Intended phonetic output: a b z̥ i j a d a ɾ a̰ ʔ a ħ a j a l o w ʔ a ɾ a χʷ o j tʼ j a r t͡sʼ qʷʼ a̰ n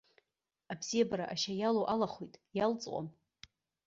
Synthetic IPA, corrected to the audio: a b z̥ i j a b a ɾ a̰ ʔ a ʃ a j a l o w ʔ a l a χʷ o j tʼ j a l t͡sʼ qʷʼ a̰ m